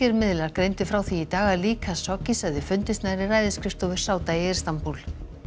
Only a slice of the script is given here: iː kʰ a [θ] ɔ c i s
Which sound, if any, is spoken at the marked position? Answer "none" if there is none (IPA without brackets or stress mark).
s